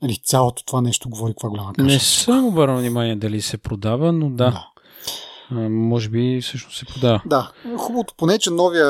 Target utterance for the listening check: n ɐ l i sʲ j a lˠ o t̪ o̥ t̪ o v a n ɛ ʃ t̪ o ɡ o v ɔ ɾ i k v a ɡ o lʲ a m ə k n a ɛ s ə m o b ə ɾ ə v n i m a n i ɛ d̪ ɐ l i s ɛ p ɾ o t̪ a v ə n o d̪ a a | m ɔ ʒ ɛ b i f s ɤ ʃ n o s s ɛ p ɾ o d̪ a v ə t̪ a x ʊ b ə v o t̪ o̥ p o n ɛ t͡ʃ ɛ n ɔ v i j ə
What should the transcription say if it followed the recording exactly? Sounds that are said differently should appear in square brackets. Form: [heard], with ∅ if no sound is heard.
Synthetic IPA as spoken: n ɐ l i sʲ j a lˠ o t̪ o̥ t̪ o v a n ɛ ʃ t̪ o ɡ o v ɔ ɾ i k v a ɡ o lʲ a m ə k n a ɛ s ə m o b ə ɾ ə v n i m a n i ɛ d̪ ɐ l i s ɛ p ɾ o [d̪] a v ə n o d̪ a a | m ɔ ʒ ɛ b i f s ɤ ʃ n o s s ɛ p ɾ o d̪ a v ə [d̪] a x [u] b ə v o t̪ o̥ p o n ɛ t͡ʃ ɛ n ɔ v i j ə